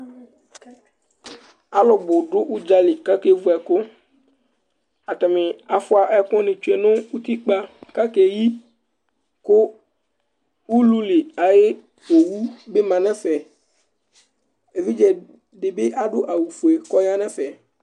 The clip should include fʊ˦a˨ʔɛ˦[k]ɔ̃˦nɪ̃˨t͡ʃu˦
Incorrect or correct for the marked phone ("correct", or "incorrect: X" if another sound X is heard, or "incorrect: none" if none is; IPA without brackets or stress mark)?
correct